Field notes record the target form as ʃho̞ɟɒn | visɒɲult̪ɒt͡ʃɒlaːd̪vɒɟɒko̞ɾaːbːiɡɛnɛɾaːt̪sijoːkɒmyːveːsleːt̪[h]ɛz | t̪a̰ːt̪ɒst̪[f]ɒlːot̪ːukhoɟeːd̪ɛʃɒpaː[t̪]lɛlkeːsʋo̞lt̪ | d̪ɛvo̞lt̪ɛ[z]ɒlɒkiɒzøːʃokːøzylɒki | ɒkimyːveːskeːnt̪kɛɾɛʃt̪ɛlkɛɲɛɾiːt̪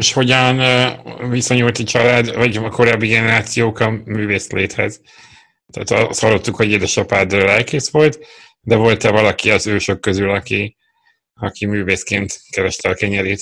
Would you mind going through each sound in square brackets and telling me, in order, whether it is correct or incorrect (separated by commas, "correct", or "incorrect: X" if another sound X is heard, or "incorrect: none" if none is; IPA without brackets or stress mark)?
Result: correct, incorrect: h, incorrect: d̪, incorrect: v